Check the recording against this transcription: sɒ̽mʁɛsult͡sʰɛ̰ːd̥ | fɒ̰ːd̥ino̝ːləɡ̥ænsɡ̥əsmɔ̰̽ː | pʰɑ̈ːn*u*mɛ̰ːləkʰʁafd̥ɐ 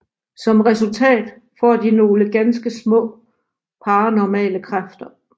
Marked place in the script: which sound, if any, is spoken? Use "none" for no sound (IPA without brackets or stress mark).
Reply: ɒ